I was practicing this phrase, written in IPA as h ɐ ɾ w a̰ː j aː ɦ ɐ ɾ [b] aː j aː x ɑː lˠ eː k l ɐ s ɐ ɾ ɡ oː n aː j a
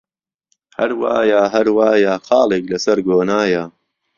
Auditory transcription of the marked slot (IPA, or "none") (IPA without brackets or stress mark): w